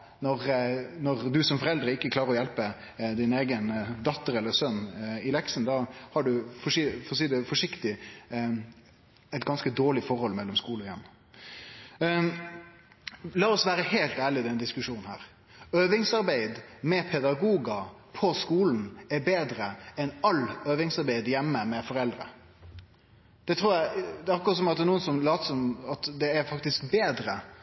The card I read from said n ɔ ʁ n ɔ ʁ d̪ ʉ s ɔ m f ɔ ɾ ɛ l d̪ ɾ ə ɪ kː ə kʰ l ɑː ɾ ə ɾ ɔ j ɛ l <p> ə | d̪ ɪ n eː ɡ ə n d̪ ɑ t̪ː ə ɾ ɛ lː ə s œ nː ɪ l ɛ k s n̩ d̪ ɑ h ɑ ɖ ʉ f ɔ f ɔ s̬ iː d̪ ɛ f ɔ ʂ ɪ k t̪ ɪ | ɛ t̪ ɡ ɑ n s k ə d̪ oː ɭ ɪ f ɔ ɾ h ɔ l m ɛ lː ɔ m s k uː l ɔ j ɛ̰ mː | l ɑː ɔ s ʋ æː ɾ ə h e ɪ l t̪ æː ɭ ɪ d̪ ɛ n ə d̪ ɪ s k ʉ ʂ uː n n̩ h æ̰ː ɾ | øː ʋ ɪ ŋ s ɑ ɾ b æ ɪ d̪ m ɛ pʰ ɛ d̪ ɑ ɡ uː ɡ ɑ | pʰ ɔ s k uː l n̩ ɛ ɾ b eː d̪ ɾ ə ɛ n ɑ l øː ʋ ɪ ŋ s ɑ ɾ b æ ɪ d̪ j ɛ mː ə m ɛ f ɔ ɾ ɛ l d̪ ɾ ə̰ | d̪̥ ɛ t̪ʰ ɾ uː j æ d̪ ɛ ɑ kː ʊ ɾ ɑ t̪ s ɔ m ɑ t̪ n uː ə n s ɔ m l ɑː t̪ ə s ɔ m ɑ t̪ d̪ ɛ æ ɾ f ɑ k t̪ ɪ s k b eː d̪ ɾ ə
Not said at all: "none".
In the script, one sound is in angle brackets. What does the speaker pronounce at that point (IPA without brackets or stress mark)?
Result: p